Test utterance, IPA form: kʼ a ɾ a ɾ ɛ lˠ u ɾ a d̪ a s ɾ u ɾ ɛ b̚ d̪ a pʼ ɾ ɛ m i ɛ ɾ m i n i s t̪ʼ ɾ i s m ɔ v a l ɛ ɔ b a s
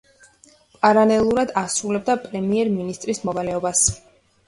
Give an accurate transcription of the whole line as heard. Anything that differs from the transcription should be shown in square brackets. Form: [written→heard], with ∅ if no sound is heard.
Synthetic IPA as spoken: [kʼ→pʼ] a ɾ a [ɾ→l] ɛ lˠ u ɾ a d̪ a s ɾ u [ɾ→l] ɛ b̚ d̪ a pʼ ɾ ɛ m i ɛ ɾ m i n i s t̪ʼ ɾ i s m ɔ v a l ɛ ɔ b a s